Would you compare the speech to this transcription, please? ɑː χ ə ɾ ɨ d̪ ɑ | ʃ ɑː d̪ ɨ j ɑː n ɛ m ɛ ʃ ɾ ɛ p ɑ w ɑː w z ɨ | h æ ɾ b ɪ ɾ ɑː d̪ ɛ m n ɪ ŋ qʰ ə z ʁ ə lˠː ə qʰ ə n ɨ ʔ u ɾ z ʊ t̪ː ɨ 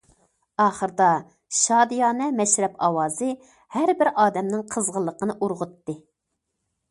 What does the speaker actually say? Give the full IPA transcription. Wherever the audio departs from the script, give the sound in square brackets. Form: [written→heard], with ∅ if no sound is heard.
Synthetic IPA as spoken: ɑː χ ə ɾ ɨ d̪ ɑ | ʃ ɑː d̪ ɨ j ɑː n ɛ m ɛ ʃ ɾ ɛ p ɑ w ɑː [w→∅] z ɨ | h æ ɾ b ɪ ɾ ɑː d̪ ɛ m n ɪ ŋ qʰ ə z ʁ ə lˠː ə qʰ ə n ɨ ʔ u ɾ [z→ʁ] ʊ t̪ː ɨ